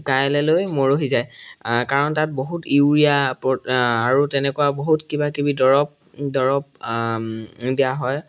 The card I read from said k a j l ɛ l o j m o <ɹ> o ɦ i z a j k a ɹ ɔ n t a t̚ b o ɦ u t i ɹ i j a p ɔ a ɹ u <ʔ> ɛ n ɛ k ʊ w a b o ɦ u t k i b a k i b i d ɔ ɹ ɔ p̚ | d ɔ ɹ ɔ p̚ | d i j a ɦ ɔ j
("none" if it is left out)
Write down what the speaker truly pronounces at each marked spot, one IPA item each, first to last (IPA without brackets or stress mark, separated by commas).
ɹ, t